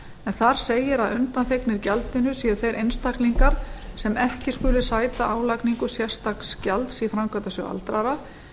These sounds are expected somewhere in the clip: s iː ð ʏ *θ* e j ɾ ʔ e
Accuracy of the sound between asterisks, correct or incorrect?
correct